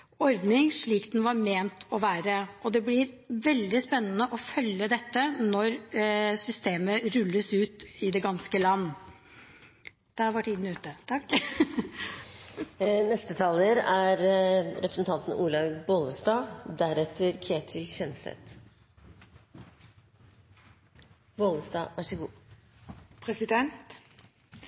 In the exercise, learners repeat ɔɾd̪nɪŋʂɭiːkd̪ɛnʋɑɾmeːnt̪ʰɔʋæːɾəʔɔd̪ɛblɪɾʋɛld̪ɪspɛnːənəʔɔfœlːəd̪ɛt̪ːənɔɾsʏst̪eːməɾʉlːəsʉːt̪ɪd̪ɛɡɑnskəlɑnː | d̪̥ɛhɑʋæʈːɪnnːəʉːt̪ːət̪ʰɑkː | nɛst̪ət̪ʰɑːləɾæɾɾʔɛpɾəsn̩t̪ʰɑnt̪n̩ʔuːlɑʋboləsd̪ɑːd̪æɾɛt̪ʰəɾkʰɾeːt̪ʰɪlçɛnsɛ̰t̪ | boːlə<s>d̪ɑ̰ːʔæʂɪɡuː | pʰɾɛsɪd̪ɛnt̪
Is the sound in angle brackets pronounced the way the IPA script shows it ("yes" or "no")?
yes